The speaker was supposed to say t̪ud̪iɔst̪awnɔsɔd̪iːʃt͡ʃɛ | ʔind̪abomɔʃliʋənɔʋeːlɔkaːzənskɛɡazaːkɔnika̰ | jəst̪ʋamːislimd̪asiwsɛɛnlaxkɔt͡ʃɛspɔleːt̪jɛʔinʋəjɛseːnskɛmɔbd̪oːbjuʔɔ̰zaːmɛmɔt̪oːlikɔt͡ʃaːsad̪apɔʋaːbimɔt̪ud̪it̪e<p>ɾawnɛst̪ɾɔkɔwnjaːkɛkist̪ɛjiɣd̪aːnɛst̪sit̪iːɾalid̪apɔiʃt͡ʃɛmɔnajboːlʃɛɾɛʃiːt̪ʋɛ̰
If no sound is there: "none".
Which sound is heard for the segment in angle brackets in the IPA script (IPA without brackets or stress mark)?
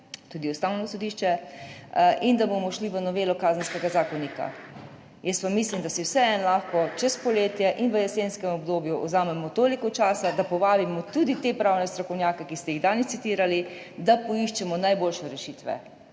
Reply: p